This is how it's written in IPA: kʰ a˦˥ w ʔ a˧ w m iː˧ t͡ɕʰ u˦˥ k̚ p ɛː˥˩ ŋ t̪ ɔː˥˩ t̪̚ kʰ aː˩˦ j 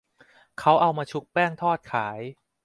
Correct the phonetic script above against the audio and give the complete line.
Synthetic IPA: kʰ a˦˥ w ʔ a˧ w m aː˧ t͡ɕʰ u˦˥ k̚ p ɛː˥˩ ŋ t̪ʰ ɔː˥˩ t̪̚ kʰ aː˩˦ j